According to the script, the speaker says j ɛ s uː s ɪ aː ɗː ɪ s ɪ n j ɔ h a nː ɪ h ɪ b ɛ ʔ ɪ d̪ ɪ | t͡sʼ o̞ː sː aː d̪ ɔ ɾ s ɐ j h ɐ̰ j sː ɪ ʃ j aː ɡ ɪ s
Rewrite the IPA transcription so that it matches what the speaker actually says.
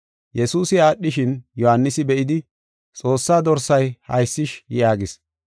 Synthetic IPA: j ɛ s uː s ɪ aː ɗː ɪ ʃ ɪ n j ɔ h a nː ɪ s ɪ b ɛ ʔ ɪ d̪ ɪ | t͡sʼ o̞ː sː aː d̪ ɔ ɾ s ɐ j h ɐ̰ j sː ɪ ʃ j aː ɡ ɪ s